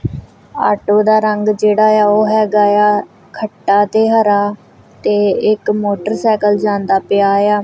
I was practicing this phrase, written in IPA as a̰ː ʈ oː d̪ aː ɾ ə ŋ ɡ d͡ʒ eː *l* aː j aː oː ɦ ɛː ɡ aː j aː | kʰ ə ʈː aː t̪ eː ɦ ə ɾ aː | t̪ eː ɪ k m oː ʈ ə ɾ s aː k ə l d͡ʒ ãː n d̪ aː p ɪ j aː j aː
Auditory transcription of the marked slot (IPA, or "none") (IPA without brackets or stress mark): ɽ